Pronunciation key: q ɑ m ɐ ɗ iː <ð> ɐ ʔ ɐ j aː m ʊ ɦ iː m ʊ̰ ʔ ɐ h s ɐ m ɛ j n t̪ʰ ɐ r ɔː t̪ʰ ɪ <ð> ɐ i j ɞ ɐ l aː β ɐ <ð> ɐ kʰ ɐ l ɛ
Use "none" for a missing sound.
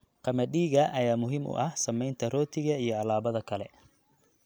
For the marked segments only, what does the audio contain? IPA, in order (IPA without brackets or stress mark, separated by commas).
ɣ, ɣ, ð